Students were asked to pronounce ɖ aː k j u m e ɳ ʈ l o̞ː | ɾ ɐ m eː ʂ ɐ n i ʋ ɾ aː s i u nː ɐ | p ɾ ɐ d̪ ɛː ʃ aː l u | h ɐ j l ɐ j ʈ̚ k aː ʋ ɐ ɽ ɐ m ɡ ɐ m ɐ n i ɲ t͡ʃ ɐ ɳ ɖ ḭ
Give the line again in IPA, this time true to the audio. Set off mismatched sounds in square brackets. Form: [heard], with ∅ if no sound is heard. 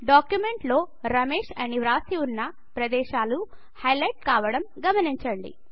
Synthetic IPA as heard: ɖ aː k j u m e ɳ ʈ l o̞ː | ɾ ɐ m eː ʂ ɐ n i ʋ ɾ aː s i u nː ɐ | p ɾ ɐ d̪ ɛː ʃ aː l u | h ɐ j l ɐ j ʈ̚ k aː ʋ ɐ ɽ ɐ m ɡ ɐ m ɐ n i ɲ t͡ʃ ɐ ɳ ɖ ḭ